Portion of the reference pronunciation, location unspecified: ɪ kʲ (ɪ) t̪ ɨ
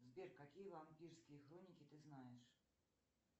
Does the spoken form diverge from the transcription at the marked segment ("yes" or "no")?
no